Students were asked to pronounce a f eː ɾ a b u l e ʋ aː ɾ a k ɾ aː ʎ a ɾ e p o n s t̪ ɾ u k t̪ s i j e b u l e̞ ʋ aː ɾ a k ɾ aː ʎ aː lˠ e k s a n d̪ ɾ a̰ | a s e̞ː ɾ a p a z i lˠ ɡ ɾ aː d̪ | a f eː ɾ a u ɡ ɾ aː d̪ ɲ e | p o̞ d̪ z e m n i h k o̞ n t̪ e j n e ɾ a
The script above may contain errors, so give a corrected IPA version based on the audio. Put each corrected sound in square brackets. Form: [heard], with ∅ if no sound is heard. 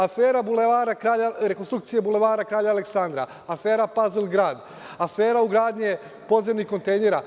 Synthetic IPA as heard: a f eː ɾ a b u l e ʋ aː ɾ a k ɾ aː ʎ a ɾ e [k] o n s t̪ ɾ u k t̪ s i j e b u l e̞ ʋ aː ɾ a k ɾ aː ʎ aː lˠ e k s a n d̪ ɾ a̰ | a [f] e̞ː ɾ a p a z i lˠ ɡ ɾ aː d̪ | a f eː ɾ a u ɡ ɾ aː d̪ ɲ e | p o̞ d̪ z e m n i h k o̞ n t̪ e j n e ɾ a